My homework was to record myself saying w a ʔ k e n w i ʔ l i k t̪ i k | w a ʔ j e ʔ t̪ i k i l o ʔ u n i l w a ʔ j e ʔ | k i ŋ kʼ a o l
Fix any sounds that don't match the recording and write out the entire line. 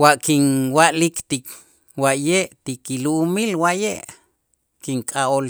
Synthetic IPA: w a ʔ k i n w a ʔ l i k t̪ i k | w a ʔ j e ʔ t̪ i k i l u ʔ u m i l w a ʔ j e ʔ | k i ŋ kʼ a o l